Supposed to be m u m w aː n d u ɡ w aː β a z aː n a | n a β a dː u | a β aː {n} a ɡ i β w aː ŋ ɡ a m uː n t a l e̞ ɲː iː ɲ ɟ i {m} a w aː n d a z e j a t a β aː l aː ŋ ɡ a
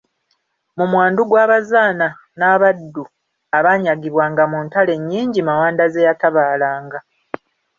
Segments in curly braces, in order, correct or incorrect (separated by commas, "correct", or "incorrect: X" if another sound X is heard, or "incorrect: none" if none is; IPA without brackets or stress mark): incorrect: ɲ, correct